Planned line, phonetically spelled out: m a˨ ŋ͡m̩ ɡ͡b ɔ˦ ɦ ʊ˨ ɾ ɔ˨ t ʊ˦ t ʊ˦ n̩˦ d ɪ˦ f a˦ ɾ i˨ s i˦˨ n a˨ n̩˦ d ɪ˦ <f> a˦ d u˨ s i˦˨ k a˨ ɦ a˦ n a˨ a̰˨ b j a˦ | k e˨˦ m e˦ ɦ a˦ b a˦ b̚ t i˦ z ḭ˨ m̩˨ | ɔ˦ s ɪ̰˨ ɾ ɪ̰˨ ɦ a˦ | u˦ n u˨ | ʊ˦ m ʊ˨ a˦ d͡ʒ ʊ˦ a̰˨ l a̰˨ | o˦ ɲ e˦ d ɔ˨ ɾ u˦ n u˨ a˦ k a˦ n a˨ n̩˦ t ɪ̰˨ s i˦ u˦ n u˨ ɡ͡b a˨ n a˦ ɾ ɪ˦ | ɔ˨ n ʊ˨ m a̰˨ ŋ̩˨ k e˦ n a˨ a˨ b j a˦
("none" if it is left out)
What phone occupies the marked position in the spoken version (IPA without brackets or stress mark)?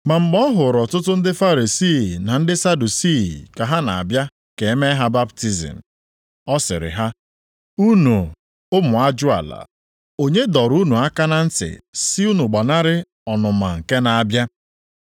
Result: s